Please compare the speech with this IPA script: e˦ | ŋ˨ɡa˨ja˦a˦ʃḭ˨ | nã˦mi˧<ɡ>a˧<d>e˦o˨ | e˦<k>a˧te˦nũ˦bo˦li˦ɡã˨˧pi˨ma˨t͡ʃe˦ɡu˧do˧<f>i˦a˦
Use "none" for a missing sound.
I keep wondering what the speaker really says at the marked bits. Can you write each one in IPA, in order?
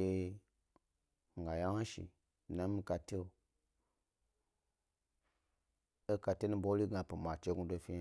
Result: k, t, k, f

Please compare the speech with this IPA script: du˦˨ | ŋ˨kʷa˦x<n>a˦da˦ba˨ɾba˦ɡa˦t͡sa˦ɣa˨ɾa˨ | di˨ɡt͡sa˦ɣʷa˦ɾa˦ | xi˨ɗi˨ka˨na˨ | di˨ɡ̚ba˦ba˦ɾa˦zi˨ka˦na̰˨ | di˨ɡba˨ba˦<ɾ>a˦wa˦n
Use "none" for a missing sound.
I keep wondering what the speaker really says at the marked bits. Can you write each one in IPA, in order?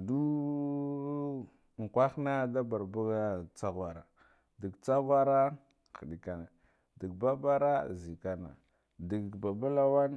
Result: n, l

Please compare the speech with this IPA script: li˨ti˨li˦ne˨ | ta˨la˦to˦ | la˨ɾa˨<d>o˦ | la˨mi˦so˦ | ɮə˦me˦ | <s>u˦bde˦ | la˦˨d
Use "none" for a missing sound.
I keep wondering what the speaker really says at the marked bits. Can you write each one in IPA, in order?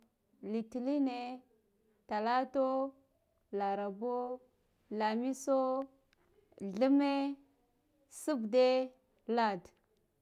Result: b, s

